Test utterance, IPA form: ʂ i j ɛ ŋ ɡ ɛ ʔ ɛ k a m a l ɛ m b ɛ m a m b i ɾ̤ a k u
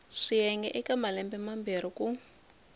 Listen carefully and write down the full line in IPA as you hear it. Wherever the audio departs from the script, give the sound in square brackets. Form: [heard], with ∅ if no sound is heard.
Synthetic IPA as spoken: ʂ i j ɛ ŋ ɡ ɛ ʔ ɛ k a m a l ɛ m b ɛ m a m b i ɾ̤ [i] k u